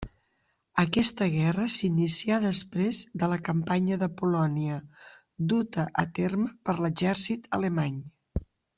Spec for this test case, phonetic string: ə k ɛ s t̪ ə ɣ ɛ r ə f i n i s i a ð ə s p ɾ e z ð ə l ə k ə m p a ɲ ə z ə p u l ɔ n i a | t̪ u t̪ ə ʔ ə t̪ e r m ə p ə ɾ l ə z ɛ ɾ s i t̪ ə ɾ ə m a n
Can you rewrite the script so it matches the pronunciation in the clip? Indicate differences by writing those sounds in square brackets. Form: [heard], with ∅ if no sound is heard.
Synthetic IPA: ə k ɛ s t̪ ə ɣ ɛ r ə [s] i n i s i a ð ə s p ɾ e z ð ə l ə k ə m p a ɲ ə [ð] ə p u l ɔ n i [ə] | [d̪] u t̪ ə ʔ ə t̪ e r m ə p ə ɾ l ə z ɛ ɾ s i t̪ ə [l] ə m a [ɲ]